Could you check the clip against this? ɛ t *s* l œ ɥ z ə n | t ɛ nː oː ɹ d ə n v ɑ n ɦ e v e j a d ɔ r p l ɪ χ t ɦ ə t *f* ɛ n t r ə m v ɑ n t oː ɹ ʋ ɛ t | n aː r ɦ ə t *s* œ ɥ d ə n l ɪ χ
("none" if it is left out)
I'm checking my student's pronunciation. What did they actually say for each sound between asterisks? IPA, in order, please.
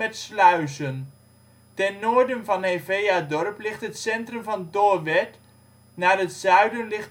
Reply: s, s, s

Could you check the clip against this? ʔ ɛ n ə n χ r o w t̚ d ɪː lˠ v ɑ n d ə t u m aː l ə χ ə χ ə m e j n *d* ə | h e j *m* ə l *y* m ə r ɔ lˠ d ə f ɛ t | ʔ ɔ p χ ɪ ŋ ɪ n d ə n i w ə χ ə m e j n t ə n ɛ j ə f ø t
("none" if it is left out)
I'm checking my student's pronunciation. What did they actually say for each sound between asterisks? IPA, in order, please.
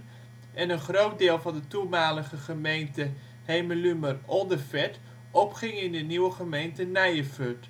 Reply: t, m, y

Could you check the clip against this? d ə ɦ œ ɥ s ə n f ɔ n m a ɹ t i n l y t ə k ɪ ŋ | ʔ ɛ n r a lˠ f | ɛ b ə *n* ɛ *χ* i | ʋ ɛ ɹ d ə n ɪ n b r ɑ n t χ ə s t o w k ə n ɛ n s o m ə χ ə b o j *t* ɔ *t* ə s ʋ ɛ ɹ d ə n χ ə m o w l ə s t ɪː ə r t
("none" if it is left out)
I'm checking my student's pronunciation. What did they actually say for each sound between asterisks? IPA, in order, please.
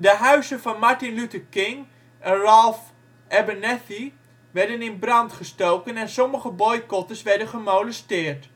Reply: n, θ, k, t

